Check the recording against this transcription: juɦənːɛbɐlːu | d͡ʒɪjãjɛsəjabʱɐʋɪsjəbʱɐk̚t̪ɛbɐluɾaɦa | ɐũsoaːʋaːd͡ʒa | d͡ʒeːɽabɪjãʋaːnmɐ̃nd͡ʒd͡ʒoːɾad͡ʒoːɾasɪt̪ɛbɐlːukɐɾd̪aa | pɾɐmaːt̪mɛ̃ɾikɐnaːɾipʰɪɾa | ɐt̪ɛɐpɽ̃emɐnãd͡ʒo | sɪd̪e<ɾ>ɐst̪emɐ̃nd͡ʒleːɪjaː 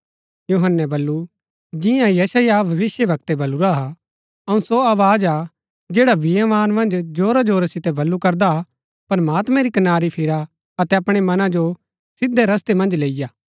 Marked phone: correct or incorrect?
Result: correct